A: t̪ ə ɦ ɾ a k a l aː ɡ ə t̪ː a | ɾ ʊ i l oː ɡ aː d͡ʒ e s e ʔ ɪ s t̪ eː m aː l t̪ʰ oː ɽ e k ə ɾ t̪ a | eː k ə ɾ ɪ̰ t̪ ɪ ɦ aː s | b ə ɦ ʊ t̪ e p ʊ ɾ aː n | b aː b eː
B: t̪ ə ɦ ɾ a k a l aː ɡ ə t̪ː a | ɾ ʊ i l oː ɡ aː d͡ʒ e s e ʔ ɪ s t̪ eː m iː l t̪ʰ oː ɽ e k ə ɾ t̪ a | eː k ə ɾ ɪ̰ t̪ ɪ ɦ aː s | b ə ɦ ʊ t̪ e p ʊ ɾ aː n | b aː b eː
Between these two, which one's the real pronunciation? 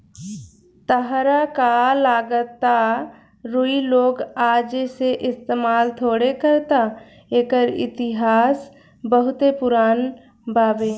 A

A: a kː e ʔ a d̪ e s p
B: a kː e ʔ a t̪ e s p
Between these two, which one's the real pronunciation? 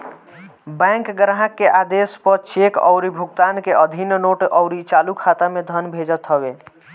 A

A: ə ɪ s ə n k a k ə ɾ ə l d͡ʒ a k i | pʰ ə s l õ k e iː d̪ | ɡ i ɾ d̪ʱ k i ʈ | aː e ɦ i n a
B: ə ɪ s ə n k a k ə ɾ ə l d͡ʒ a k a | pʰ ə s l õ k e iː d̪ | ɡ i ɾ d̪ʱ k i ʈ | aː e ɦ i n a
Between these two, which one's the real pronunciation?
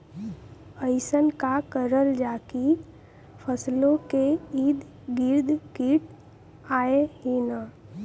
A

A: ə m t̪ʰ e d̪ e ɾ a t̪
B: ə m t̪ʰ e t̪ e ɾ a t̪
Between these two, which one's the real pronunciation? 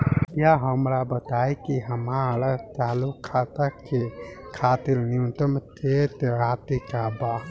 B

